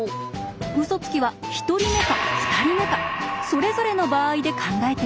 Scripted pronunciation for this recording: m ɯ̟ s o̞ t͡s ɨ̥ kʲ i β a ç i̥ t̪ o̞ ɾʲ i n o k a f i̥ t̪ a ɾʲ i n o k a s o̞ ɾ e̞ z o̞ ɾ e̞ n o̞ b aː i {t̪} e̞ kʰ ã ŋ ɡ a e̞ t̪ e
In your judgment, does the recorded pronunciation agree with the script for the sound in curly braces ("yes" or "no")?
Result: no